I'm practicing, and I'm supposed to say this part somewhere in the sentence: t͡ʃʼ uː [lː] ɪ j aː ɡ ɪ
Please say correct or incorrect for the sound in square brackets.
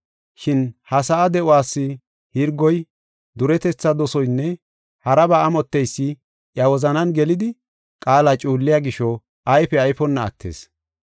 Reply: correct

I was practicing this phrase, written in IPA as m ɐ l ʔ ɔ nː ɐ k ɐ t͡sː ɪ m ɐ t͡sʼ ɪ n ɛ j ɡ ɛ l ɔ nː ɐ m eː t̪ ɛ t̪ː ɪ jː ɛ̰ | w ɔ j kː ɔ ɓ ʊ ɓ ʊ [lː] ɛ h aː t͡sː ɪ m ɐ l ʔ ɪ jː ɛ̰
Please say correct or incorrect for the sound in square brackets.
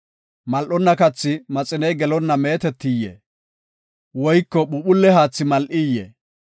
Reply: correct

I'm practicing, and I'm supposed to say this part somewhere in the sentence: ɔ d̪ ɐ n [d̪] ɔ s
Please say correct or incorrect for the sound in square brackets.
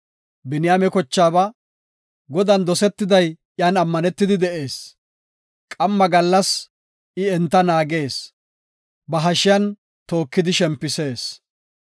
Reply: correct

